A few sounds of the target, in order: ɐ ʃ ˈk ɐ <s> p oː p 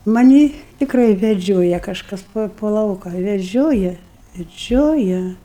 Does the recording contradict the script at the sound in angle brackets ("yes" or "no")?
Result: no